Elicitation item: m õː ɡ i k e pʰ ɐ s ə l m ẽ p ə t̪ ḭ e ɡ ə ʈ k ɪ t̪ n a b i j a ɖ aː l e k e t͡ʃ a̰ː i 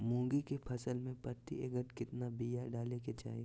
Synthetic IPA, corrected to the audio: m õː ɡ i k e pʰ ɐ s ə l m ẽ p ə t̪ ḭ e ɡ ə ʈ k ɪ t̪ n a b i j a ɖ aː l e k e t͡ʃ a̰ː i